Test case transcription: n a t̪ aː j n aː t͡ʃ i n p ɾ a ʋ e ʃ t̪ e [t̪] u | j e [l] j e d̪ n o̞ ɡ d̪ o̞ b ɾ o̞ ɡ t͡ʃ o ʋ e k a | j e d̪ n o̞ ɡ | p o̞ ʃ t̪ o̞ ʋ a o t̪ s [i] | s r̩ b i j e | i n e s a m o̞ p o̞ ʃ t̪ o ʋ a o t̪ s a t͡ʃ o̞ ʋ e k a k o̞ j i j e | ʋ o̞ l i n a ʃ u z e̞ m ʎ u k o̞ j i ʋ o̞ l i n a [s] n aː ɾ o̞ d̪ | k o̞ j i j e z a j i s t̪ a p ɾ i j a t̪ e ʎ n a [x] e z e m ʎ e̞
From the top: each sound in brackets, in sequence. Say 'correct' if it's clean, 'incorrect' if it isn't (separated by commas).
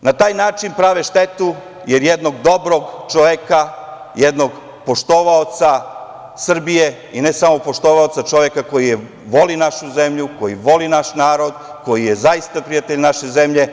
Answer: correct, incorrect, incorrect, incorrect, incorrect